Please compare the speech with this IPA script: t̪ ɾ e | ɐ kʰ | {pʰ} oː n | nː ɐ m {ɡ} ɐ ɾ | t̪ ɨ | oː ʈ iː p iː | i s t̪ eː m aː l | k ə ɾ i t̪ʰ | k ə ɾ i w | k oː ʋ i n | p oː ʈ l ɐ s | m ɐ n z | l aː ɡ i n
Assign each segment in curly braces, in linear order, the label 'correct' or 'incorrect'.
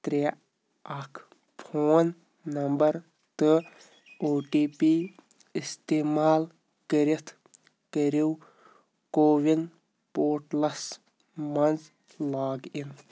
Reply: correct, incorrect: b

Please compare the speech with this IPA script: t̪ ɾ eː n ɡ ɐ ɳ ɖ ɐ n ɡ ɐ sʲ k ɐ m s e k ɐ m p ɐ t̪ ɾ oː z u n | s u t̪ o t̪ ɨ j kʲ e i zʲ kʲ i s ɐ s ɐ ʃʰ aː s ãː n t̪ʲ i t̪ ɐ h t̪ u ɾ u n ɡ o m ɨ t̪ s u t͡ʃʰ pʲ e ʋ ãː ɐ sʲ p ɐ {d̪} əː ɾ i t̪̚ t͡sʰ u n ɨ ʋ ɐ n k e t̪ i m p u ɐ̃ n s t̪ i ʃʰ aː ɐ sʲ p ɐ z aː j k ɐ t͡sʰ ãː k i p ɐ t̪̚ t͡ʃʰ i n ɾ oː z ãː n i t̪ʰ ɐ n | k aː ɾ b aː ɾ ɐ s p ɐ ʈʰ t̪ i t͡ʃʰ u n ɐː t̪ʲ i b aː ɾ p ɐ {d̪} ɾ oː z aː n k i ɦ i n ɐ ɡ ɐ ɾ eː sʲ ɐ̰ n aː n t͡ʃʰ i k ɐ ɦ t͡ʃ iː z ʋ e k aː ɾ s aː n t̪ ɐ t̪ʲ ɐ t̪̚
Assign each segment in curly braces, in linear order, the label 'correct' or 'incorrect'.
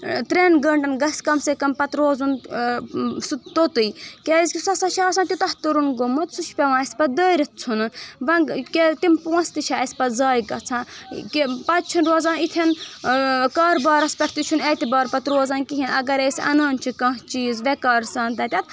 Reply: correct, incorrect: t̪

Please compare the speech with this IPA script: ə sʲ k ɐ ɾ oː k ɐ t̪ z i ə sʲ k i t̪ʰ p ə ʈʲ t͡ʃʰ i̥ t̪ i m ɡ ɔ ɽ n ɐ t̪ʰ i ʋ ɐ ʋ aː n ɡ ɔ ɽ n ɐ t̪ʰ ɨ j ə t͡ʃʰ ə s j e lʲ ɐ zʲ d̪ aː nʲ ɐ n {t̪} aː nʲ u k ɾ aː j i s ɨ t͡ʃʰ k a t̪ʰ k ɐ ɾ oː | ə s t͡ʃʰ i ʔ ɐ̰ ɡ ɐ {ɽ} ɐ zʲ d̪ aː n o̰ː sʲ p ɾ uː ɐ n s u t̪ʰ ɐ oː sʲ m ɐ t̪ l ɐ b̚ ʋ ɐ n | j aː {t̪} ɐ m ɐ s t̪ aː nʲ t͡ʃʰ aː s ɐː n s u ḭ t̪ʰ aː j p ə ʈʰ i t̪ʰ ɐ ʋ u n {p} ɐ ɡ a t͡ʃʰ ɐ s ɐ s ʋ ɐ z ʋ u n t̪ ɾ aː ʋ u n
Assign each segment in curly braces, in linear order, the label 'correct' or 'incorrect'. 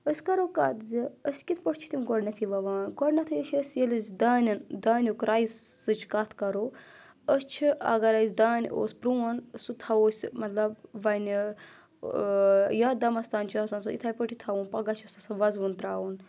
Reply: incorrect: d̪, incorrect: ɾ, incorrect: d̪, correct

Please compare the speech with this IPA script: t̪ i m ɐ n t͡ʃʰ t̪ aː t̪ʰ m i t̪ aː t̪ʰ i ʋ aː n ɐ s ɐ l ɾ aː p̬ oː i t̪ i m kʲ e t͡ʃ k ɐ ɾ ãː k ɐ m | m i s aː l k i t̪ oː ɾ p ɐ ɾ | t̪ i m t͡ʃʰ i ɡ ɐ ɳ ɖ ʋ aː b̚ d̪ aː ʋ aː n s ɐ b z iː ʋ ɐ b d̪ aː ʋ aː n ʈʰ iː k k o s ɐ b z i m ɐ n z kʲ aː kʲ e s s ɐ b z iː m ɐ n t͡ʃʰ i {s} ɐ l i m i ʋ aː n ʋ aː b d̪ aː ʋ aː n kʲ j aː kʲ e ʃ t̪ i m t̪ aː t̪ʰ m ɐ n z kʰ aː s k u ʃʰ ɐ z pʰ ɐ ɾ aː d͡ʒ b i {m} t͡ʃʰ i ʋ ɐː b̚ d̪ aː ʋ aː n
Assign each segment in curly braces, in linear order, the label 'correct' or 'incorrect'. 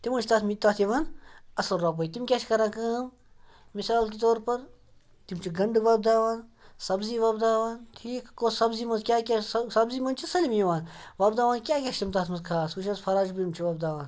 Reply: correct, correct

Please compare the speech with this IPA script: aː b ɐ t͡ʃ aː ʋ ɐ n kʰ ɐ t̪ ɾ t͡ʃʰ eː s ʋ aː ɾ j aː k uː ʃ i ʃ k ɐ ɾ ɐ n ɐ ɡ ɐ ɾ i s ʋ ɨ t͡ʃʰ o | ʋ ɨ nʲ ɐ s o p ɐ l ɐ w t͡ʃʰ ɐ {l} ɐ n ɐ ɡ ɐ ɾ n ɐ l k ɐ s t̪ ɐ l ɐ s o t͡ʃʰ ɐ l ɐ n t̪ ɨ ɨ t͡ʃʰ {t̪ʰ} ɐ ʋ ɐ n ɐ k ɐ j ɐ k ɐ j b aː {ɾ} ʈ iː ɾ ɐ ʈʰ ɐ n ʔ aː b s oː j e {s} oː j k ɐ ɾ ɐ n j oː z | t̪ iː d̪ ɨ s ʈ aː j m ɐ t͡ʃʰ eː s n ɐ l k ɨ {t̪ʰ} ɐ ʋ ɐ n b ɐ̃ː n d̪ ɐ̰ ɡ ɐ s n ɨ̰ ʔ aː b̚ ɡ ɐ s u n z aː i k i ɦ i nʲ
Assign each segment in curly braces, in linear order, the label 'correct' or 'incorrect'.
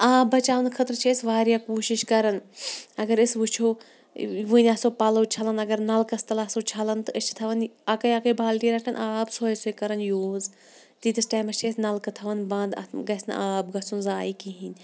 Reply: correct, correct, incorrect: l, correct, correct

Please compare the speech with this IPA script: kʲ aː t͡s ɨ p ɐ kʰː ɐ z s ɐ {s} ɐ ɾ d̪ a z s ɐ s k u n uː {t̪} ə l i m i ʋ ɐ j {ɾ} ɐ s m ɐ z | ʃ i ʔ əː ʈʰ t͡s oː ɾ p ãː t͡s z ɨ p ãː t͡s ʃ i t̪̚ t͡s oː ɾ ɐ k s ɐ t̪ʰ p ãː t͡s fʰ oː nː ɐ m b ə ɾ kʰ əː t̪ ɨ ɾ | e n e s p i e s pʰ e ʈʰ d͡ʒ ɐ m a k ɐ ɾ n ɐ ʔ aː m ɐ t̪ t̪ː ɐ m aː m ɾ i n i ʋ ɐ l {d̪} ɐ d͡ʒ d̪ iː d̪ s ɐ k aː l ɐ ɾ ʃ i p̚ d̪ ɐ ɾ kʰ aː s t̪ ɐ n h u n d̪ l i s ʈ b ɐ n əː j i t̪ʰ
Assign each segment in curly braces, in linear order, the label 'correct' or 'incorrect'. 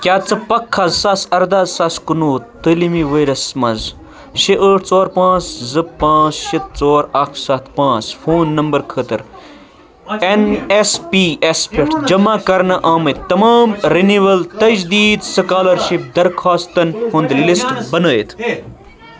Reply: correct, correct, correct, incorrect: t̪

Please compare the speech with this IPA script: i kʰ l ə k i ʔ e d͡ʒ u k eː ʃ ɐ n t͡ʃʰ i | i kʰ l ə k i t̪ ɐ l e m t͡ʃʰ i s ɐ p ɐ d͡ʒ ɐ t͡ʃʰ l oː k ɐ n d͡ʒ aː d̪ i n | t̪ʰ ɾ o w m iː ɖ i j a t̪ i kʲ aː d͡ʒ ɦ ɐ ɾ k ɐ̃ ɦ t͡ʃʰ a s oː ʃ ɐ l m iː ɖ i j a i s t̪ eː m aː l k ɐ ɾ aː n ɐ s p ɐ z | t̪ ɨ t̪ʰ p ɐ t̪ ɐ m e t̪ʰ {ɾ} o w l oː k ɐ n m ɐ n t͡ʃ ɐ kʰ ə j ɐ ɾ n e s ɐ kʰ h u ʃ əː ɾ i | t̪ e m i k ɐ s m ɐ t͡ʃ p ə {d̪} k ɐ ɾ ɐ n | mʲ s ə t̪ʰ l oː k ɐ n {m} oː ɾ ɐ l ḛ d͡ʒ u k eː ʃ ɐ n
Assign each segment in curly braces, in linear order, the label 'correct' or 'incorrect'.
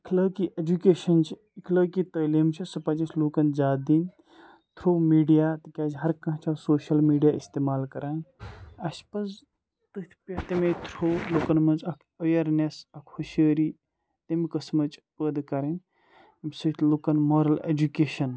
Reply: correct, correct, correct

